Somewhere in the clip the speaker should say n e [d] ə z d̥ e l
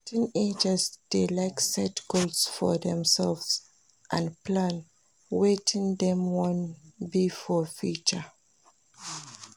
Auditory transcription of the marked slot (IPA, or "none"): d͡ʒ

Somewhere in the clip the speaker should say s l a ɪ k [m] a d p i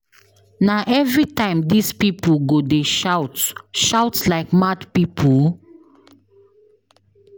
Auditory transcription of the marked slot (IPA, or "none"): m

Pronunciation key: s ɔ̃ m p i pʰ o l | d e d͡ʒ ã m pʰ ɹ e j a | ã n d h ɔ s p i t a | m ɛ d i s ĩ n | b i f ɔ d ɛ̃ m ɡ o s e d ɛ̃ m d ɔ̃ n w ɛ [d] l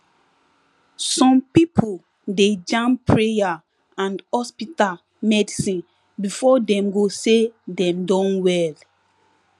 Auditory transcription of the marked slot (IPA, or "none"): none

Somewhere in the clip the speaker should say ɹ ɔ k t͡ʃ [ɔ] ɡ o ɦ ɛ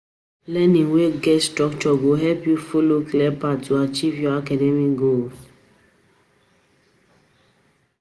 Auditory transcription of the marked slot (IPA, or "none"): ɔ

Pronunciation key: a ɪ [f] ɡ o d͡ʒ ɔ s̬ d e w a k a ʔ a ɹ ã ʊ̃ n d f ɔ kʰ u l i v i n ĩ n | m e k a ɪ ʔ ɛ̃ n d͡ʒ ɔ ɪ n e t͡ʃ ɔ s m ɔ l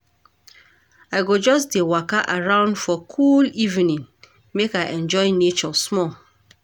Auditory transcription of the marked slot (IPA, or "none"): none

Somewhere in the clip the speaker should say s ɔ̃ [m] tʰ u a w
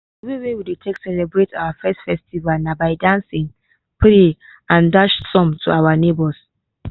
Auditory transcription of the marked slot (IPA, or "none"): m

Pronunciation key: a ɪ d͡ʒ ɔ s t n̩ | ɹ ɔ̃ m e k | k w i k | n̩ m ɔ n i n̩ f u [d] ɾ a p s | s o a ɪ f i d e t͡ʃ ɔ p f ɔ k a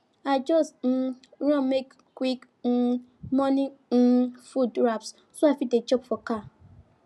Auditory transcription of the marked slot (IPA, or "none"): d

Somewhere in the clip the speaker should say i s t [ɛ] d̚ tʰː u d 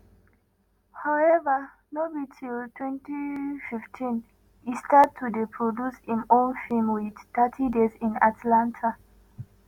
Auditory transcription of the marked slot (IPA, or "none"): a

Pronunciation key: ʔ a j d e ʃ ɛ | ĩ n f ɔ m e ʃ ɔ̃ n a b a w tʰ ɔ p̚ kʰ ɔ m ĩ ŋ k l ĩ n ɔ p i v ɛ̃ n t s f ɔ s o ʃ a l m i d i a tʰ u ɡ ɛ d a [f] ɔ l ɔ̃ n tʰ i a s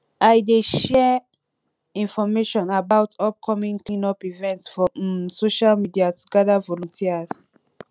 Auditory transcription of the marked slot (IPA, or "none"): v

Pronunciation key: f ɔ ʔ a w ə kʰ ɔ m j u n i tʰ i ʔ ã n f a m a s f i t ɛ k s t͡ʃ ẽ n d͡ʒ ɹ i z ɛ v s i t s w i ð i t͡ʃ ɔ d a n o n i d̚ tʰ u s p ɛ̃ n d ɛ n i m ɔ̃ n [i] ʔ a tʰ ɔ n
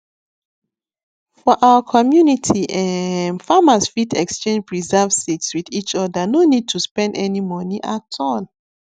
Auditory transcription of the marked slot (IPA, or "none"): i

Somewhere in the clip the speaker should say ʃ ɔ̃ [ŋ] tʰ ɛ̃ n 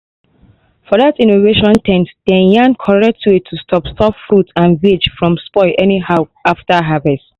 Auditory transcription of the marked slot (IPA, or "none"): n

